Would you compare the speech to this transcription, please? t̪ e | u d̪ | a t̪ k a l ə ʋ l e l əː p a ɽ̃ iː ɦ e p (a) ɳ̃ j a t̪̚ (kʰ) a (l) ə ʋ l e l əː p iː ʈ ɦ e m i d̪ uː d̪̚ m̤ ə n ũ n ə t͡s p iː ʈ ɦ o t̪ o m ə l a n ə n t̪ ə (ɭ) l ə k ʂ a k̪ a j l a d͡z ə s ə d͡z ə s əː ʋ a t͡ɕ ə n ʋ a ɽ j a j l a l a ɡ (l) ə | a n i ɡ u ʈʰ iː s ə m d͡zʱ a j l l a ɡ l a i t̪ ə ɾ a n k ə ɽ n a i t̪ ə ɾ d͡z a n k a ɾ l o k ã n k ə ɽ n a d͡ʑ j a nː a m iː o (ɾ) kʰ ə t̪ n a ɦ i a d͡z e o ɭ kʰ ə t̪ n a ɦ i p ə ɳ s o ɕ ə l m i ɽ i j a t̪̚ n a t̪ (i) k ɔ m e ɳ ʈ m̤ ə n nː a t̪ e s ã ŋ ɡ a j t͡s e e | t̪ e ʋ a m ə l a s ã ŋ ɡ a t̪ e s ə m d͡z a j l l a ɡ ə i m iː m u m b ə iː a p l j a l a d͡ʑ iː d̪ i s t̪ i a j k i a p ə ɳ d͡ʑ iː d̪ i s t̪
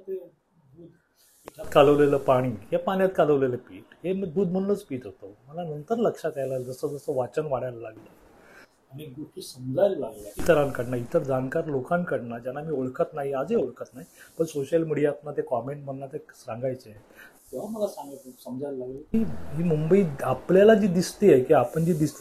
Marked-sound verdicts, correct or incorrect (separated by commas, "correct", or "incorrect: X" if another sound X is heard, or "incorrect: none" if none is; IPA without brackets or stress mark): correct, incorrect: k, correct, incorrect: ɾ, correct, incorrect: ɭ, incorrect: e